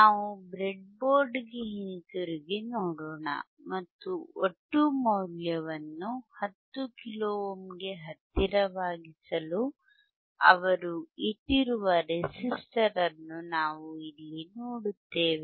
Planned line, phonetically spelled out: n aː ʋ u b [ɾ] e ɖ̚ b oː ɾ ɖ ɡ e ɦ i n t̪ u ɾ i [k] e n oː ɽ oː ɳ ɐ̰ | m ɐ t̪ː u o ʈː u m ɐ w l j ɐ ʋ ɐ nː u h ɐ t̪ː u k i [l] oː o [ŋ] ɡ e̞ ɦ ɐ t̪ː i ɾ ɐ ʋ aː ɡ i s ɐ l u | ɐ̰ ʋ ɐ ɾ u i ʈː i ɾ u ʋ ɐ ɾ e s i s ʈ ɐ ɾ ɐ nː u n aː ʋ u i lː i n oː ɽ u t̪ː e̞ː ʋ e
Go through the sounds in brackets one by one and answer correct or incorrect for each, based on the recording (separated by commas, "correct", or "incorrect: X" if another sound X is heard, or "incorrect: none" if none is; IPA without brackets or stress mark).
correct, incorrect: ɡ, correct, incorrect: m